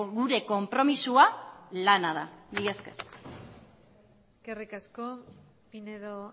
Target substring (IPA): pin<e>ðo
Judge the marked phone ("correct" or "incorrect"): correct